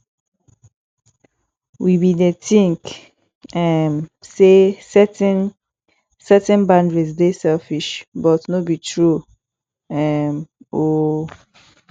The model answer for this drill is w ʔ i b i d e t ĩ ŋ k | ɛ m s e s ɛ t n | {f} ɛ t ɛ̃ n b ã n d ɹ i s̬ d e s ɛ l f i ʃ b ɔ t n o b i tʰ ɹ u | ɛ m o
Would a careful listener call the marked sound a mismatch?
yes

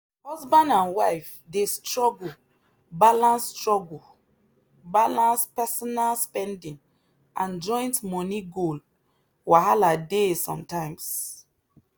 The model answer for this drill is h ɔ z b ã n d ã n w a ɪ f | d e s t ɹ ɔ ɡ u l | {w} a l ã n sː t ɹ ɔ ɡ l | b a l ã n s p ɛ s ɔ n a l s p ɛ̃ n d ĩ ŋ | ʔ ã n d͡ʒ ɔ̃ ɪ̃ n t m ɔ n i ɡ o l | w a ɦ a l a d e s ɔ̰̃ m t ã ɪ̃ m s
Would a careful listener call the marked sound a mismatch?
yes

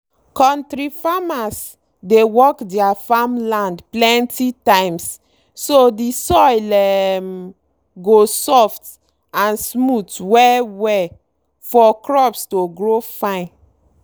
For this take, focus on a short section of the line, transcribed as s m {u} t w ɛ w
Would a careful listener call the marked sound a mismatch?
no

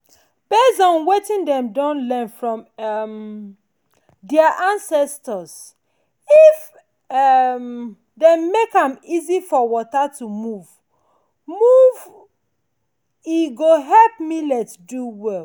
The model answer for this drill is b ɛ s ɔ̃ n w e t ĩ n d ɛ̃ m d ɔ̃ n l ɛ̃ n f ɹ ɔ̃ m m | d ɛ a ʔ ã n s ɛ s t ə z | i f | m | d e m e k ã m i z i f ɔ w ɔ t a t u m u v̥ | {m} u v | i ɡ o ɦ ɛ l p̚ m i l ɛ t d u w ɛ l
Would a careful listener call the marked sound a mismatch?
no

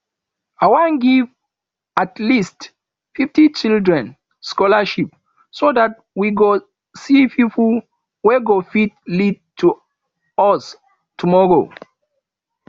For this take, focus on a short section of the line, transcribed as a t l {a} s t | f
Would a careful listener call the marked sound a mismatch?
yes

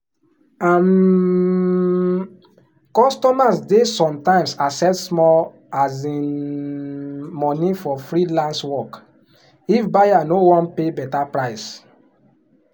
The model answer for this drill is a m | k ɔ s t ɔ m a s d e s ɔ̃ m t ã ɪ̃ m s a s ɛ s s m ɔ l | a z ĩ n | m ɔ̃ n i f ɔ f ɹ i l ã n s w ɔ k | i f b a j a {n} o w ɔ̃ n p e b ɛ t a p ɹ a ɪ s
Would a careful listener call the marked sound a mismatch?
no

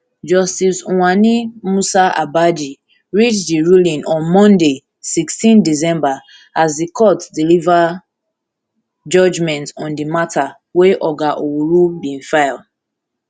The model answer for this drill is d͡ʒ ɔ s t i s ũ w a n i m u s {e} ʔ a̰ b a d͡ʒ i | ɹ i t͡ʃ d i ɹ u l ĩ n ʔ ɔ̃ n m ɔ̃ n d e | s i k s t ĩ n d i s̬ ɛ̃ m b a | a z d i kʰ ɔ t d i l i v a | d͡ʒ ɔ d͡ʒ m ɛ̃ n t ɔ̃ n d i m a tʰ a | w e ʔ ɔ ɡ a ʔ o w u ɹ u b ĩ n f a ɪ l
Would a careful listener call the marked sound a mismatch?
yes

